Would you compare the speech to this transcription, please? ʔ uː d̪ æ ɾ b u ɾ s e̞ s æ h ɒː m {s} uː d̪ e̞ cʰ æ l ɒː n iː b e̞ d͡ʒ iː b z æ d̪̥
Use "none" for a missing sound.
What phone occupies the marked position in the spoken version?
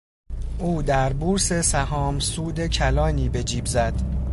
s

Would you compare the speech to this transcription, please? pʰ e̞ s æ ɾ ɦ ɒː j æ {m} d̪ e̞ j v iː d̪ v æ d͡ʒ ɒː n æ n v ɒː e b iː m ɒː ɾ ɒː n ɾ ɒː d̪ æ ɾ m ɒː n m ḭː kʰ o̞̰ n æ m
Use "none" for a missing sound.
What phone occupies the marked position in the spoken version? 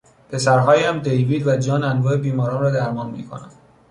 m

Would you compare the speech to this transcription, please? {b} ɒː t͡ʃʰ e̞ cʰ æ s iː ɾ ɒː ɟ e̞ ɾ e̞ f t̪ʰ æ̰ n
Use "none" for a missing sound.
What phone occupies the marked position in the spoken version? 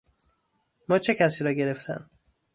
m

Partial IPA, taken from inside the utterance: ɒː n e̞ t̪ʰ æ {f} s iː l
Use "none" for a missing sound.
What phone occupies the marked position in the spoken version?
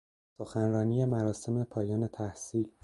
h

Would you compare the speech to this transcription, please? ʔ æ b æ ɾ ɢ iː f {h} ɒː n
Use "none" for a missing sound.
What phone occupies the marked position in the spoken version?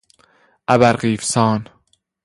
s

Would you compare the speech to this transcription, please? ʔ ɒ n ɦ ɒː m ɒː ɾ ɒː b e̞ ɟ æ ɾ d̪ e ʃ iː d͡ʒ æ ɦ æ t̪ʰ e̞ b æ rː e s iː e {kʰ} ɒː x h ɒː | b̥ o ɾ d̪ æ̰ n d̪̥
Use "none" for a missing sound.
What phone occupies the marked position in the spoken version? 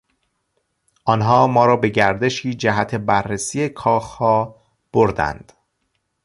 kʰ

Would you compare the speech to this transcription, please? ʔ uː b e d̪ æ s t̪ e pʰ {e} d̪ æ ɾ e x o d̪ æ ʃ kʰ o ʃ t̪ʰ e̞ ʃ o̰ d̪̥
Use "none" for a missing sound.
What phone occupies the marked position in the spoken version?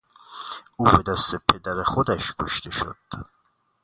e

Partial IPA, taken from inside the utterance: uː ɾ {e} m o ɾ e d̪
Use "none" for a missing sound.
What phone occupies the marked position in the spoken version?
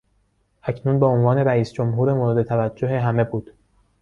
e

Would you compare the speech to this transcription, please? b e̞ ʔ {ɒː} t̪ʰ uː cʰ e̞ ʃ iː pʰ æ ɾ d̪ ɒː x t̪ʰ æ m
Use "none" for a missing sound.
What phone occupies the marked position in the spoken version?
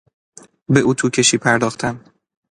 uː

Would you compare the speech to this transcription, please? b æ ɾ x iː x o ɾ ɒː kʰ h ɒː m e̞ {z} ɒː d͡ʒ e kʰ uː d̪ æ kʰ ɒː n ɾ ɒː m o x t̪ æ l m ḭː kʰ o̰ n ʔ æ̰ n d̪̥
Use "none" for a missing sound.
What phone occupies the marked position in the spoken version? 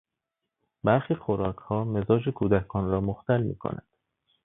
z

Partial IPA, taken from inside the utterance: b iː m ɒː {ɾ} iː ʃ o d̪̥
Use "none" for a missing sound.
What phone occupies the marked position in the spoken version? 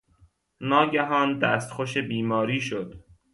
ɾ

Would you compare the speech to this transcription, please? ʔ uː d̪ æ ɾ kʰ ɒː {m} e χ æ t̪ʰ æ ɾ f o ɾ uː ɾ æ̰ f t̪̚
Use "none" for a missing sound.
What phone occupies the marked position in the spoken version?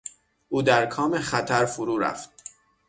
m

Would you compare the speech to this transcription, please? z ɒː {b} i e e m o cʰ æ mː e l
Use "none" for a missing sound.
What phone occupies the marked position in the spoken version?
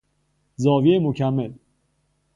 v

